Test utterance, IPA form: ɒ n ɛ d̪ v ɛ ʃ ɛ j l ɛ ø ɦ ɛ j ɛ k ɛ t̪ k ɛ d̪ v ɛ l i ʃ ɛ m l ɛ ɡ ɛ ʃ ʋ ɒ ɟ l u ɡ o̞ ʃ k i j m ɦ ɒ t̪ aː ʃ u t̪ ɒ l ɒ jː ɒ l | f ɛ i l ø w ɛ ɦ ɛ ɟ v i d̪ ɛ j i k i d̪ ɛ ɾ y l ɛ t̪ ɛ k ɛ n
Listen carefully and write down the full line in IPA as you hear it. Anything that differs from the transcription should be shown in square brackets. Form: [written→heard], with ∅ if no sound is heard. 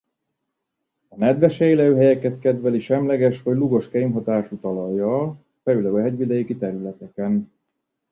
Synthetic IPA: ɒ n ɛ d̪ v ɛ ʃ ɛ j l ɛ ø ɦ ɛ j ɛ k ɛ t̪ k ɛ d̪ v ɛ l i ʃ ɛ m l ɛ ɡ ɛ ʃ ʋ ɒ ɟ l u ɡ o̞ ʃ k [i→ɛ] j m ɦ ɒ t̪ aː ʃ u t̪ ɒ l ɒ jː ɒ l | f ɛ [i→y] l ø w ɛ ɦ ɛ ɟ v i d̪ ɛ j i k i [d̪→t̪] ɛ ɾ y l ɛ t̪ ɛ k ɛ n